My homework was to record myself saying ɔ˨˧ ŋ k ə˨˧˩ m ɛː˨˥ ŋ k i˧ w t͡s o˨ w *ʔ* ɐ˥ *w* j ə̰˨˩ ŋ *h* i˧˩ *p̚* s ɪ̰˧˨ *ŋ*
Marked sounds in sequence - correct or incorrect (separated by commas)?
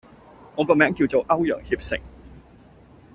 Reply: correct, correct, correct, correct, correct